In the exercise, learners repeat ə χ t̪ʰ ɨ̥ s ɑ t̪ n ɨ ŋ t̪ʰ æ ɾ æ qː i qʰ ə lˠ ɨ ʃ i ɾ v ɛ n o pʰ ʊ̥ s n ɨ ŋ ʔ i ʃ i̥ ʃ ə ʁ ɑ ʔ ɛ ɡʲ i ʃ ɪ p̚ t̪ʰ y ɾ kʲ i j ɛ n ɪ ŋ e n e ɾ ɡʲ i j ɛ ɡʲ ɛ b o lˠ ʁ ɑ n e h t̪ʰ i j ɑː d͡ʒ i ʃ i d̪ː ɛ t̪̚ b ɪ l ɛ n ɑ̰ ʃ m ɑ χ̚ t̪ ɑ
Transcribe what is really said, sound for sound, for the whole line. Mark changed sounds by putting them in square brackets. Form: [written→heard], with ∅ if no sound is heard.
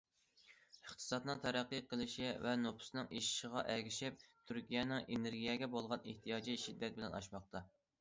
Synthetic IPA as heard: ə χ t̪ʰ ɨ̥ s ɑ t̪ n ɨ ŋ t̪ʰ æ ɾ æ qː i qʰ ə lˠ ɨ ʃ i [ɾ→∅] v ɛ n o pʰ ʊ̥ s n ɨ ŋ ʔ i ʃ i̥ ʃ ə ʁ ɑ ʔ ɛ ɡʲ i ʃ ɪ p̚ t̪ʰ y ɾ kʲ i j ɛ n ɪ ŋ e n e ɾ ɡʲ i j ɛ ɡʲ ɛ b o lˠ ʁ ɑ n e h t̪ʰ i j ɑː d͡ʒ i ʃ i d̪ː ɛ t̪̚ b ɪ l ɛ n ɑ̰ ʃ m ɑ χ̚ t̪ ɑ